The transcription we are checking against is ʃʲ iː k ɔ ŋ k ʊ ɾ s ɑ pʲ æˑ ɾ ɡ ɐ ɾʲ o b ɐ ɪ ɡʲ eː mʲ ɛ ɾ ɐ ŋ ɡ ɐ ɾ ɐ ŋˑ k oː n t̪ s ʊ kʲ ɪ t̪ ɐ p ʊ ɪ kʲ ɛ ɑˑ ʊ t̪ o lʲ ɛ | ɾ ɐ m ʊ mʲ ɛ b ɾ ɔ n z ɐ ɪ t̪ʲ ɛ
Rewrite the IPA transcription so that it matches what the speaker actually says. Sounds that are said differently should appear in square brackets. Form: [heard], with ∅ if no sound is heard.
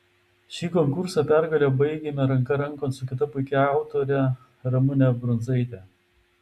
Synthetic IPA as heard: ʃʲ iː k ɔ ŋ k ʊ ɾ s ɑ pʲ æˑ ɾ ɡ ɐ [lʲ] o b ɐ ɪ ɡʲ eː mʲ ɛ ɾ ɐ ŋ [k] ɐ ɾ ɐ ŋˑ k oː n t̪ s ʊ kʲ ɪ t̪ ɐ p ʊ ɪ kʲ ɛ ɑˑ ʊ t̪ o [ɾʲ] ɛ | ɾ ɐ m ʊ [nʲ] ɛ b ɾ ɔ n z ɐ ɪ t̪ʲ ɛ